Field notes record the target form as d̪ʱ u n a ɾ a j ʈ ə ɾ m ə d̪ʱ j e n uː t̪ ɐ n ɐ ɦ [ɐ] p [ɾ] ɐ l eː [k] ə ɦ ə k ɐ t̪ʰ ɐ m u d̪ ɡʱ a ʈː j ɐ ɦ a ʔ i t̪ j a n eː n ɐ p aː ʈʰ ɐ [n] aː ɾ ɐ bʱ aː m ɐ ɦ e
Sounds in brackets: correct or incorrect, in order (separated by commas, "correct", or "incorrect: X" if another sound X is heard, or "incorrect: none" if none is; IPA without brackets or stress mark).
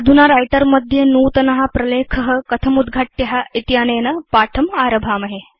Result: incorrect: a, correct, incorrect: kʰ, incorrect: m